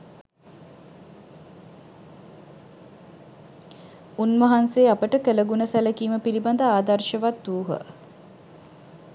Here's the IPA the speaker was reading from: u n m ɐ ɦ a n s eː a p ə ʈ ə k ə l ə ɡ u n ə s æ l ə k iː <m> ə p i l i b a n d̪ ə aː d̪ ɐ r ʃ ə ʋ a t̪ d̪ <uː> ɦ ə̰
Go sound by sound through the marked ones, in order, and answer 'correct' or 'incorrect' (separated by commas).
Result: correct, correct